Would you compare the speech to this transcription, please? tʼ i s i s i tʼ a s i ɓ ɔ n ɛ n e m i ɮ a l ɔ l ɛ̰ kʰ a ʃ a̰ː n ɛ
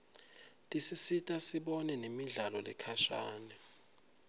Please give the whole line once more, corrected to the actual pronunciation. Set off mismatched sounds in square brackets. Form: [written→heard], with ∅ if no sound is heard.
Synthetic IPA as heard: tʼ i s i s i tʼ a s i ɓ ɔ n ɛ n e m i ɮ a l ɔ l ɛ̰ kʰ a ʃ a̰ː n ɛ